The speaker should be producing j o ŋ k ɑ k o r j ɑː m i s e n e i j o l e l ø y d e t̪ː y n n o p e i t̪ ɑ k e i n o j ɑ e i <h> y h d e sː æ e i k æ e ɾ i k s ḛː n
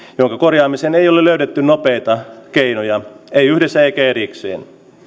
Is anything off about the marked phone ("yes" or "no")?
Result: yes